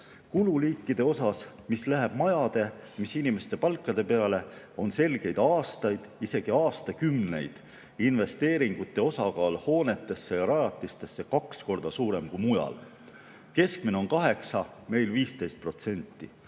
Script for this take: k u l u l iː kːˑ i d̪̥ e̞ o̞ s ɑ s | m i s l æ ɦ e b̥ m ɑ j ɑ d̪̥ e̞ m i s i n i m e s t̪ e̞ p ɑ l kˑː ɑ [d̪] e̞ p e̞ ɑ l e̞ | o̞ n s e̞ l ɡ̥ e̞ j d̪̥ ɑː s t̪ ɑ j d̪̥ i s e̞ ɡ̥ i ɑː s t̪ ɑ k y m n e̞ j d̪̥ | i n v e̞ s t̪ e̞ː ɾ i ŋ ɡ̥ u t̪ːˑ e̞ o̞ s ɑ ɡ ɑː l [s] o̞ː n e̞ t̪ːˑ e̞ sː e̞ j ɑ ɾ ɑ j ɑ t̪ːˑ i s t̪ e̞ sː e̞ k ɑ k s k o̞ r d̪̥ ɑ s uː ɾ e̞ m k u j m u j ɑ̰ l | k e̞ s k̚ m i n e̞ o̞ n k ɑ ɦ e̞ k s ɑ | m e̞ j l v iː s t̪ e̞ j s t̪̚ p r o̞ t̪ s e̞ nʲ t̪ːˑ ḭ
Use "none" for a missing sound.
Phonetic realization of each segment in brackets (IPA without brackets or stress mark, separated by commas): d̪, h